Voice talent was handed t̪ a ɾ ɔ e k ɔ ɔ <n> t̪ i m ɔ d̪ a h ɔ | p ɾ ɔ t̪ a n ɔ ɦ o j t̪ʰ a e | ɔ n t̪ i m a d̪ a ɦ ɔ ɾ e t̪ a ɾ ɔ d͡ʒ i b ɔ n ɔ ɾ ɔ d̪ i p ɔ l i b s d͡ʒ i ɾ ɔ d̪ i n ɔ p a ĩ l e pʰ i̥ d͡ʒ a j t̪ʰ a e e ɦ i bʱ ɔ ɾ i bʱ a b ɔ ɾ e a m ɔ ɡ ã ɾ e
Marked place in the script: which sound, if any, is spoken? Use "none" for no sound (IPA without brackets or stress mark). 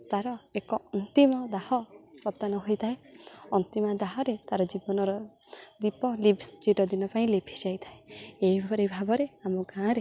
n